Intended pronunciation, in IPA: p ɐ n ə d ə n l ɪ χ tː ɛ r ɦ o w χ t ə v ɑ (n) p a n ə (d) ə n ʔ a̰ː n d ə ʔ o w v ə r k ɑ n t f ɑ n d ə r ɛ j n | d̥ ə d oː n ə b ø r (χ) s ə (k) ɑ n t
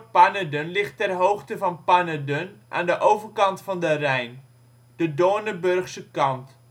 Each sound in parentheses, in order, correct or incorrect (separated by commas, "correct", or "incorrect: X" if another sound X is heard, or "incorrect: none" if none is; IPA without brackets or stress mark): correct, correct, correct, correct